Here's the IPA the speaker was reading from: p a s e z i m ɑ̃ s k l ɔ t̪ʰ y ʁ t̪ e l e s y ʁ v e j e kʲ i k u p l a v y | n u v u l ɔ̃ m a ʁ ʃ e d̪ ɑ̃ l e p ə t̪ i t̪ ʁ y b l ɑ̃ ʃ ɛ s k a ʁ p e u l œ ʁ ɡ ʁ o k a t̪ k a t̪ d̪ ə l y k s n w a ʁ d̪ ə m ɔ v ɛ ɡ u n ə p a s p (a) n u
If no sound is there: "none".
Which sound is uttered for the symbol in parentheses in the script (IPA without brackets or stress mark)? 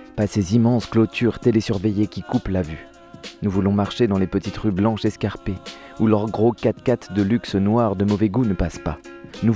a